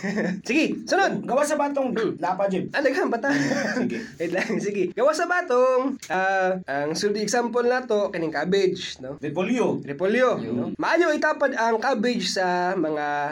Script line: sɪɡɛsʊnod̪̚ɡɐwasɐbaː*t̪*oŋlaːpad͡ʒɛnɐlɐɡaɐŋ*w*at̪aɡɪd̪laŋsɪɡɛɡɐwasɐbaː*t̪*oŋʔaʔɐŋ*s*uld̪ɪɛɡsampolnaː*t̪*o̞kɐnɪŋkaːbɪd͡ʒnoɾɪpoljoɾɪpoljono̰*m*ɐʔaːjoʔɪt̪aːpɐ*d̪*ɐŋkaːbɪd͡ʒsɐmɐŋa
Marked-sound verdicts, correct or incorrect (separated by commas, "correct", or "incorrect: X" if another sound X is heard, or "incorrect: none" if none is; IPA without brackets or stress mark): correct, incorrect: b, correct, correct, correct, correct, correct